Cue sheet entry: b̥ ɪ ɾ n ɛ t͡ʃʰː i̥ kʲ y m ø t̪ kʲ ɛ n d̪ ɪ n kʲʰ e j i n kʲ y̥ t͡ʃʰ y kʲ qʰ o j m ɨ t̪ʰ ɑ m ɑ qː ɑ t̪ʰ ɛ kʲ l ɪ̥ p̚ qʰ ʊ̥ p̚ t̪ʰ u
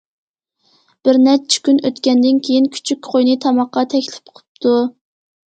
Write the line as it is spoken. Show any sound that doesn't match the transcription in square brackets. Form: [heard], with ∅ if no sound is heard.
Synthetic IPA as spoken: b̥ ɪ ɾ n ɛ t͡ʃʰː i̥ kʲ y [n] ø t̪ kʲ ɛ n d̪ ɪ n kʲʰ e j i n [kʲʰ] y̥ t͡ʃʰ y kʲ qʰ o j [n] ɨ t̪ʰ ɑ m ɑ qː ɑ t̪ʰ ɛ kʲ l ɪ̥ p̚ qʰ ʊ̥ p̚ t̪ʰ u